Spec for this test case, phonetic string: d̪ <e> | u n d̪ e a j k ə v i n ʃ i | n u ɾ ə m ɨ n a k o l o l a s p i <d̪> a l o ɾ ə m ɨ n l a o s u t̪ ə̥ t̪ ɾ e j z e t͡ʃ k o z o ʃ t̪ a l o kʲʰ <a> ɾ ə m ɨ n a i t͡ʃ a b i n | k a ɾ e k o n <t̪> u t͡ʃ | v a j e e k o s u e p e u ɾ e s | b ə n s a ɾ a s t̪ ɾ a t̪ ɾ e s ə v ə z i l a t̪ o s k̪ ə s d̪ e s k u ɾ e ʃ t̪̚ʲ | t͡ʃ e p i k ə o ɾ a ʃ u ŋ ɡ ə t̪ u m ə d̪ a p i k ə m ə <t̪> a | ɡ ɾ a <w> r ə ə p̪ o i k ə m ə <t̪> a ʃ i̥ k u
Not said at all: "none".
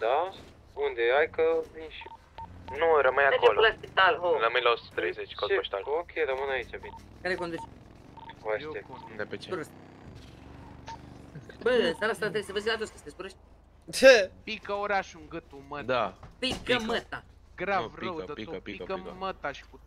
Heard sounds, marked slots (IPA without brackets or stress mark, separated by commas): a, t̪, e, d̪, t̪, v, t̪